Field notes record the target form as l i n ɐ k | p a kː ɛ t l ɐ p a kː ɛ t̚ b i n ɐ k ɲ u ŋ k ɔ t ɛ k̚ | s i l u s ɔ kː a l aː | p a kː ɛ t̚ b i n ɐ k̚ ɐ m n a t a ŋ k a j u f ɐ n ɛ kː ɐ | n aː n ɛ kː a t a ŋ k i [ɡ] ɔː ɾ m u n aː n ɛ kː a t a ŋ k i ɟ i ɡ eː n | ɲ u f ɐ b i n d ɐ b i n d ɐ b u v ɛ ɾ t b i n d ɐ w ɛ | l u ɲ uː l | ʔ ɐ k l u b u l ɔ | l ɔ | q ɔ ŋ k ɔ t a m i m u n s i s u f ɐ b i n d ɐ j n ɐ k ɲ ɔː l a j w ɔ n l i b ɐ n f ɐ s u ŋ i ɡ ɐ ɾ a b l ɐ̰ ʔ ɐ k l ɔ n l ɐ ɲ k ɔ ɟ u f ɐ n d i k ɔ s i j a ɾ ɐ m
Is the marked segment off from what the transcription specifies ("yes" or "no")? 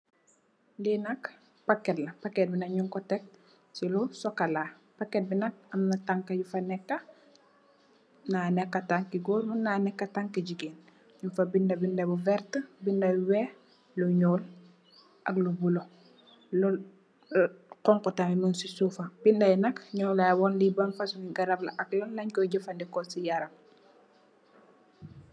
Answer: no